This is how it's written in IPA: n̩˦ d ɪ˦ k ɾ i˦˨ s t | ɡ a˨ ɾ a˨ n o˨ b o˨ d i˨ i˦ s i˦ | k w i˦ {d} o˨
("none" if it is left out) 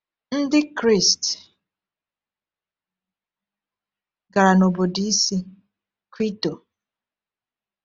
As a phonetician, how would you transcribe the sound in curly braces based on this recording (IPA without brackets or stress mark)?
t